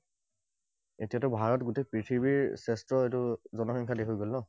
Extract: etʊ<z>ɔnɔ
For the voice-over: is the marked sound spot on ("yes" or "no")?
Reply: yes